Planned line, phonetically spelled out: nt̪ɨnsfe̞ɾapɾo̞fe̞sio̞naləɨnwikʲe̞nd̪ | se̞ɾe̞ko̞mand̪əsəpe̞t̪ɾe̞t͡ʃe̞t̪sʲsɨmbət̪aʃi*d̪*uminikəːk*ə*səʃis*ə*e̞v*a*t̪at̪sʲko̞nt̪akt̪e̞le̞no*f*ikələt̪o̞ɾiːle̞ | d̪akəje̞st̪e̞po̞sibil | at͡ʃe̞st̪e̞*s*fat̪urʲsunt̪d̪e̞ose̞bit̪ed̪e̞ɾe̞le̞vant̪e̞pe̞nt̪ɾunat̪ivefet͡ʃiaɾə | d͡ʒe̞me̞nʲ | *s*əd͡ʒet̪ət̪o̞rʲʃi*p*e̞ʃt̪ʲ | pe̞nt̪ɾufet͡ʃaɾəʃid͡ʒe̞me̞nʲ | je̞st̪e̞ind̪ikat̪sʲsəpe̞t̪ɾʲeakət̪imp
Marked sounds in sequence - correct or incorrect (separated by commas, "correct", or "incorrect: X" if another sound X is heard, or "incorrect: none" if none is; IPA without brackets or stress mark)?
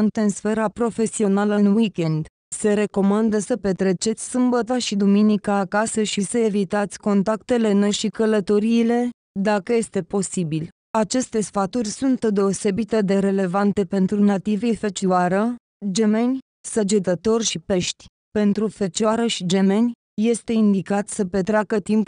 correct, incorrect: a, correct, incorrect: i, incorrect: ʃ, correct, correct, correct